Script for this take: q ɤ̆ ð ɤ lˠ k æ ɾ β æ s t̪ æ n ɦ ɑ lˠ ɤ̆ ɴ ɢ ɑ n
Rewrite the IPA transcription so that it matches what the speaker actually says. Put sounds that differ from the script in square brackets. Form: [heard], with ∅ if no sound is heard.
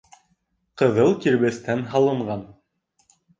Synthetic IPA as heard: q ɤ̆ ð ɤ lˠ k [i] ɾ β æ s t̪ æ n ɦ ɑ lˠ ɤ̆ ɴ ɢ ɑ n